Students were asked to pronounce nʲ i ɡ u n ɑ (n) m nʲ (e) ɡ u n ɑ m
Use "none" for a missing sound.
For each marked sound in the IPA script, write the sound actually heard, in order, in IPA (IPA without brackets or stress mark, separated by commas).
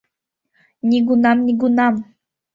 none, i